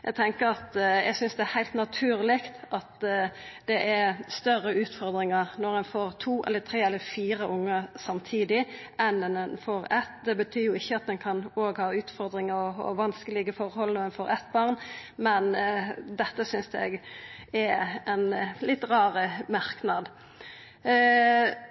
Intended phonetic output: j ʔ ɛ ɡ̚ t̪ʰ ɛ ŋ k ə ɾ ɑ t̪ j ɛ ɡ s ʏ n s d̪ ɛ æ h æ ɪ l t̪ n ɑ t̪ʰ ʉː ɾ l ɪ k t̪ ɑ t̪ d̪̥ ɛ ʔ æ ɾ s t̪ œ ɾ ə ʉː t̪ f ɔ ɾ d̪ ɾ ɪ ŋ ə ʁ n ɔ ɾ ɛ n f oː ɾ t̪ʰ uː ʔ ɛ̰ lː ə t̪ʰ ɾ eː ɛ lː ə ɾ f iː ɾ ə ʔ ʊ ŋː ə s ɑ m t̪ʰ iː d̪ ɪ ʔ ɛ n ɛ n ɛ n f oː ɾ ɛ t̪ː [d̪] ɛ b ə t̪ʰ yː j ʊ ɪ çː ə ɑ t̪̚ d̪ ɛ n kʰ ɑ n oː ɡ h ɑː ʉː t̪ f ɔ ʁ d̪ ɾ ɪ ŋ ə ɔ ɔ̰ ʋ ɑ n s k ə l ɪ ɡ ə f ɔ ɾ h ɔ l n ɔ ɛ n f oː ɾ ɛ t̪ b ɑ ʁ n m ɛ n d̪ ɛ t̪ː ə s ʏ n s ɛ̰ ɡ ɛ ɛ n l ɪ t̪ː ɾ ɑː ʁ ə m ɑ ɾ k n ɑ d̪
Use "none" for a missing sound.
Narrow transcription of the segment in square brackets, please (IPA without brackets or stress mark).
d̪